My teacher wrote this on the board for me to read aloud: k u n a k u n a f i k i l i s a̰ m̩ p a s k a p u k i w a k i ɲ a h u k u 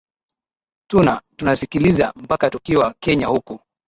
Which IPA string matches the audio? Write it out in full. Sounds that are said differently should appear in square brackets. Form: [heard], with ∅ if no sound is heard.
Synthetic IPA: [t] u n a [t] u n a [s] i k i l i [z] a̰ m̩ p a [∅] k a [t] u k i w a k [ɛ] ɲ a h u k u